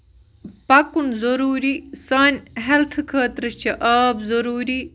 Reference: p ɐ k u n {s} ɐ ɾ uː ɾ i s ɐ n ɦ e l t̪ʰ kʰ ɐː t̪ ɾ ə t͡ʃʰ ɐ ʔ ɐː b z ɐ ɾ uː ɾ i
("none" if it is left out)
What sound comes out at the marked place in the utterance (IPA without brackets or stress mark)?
z